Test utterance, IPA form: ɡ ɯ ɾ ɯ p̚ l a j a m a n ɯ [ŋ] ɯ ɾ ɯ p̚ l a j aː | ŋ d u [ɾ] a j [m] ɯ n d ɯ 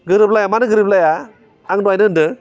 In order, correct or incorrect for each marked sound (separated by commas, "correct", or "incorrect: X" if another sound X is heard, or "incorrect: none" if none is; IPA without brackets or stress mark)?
incorrect: ɡ, incorrect: none, incorrect: n